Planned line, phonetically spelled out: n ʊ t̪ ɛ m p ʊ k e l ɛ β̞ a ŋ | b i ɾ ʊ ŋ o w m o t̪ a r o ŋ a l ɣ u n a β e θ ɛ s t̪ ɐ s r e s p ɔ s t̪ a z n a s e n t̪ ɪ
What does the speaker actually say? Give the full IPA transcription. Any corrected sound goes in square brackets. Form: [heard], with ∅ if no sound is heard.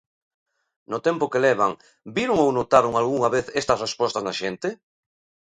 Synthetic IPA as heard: n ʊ t̪ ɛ m p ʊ k e l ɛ β̞ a ŋ | b i ɾ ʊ ŋ o w [n] o t̪ a [ɾ] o ŋ a l ɣ u [ŋ] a β e θ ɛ s t̪ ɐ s r e s p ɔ s t̪ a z n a [ʃ] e n t̪ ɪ